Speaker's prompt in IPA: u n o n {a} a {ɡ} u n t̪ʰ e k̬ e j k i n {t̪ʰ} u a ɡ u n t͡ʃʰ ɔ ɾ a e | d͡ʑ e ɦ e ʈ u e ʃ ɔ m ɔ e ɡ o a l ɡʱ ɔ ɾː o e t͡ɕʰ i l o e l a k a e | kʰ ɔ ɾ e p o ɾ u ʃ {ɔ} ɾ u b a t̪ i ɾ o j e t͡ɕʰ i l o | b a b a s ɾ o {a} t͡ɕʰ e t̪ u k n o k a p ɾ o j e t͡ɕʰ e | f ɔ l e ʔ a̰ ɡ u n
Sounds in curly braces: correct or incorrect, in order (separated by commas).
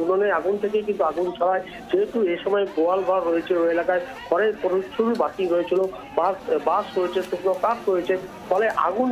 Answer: incorrect, correct, incorrect, incorrect, incorrect